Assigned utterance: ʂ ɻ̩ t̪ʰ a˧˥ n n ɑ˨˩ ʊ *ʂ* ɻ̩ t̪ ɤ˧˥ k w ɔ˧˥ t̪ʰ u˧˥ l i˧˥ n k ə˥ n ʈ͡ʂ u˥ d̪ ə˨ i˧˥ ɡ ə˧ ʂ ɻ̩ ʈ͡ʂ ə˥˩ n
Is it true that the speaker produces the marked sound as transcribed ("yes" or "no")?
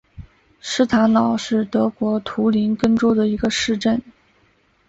yes